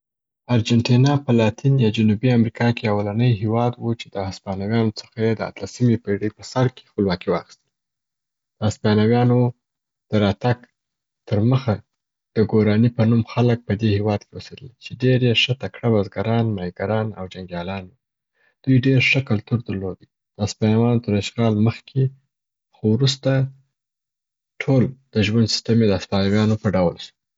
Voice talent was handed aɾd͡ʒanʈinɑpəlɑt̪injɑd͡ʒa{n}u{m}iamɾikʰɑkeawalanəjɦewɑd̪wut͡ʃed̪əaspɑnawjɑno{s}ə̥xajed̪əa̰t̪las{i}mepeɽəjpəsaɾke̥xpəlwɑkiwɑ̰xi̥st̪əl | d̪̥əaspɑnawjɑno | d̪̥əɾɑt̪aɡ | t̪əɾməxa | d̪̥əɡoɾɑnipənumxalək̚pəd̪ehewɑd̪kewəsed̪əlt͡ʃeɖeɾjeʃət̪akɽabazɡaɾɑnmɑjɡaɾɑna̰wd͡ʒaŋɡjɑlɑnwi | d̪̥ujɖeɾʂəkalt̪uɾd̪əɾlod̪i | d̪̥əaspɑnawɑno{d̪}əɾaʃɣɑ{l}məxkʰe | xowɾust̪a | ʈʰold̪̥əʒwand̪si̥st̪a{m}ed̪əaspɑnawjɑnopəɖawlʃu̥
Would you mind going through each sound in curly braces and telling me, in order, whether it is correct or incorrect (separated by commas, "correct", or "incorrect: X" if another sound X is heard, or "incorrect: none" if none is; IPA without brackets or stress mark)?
correct, incorrect: b, incorrect: t͡s, correct, incorrect: t̪, correct, correct